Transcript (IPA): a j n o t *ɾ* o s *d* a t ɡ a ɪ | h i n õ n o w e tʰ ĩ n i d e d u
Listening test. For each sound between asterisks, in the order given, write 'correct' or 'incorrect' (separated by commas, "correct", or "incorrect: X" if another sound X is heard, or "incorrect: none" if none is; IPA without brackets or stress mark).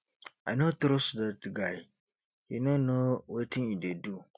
correct, correct